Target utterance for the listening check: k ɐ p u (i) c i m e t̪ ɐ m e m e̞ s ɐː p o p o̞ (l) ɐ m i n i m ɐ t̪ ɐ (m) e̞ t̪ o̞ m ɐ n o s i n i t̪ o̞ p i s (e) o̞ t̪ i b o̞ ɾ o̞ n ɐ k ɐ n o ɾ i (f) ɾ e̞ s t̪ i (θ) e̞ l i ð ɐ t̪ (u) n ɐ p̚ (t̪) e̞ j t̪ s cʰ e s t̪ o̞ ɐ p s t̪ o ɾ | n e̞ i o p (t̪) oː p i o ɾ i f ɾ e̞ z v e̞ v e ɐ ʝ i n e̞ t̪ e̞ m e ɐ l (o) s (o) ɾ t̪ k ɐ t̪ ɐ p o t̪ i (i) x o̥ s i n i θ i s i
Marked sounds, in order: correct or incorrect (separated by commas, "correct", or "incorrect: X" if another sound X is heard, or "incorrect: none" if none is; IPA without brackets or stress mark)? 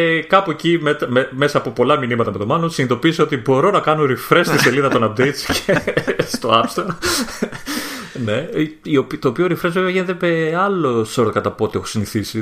incorrect: e, correct, correct, correct, correct, incorrect: s, incorrect: o, incorrect: d̪, correct, correct, correct, incorrect: e